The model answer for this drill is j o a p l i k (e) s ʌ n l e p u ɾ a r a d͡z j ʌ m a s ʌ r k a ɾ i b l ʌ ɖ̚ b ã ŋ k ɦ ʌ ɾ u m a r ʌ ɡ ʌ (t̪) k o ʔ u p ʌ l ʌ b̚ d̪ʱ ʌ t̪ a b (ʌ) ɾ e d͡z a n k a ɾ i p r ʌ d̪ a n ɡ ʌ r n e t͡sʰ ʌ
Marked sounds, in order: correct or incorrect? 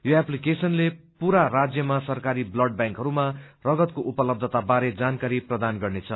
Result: correct, correct, incorrect: a

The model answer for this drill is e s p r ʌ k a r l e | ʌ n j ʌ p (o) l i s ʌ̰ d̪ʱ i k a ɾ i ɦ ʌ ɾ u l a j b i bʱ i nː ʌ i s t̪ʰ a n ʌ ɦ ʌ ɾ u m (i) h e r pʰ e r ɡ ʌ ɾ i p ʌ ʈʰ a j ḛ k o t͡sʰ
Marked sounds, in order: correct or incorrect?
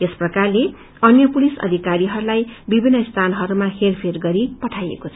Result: incorrect: u, incorrect: a

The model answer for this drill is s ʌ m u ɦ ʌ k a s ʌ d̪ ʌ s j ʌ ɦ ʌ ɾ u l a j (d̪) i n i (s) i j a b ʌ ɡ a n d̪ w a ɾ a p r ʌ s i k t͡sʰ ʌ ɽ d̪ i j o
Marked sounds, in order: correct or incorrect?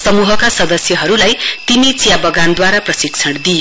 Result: incorrect: t̪, incorrect: t͡s

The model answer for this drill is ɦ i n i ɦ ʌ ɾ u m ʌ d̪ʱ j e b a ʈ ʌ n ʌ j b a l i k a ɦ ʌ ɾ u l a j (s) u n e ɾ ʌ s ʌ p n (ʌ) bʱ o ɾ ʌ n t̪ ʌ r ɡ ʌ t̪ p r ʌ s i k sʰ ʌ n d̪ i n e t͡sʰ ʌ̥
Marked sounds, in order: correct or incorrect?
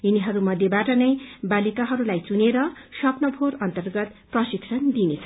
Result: incorrect: t͡s, correct

